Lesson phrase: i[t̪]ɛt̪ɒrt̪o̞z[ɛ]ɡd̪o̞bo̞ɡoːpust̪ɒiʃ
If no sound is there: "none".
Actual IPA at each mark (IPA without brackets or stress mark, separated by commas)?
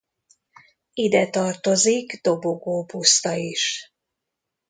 d̪, i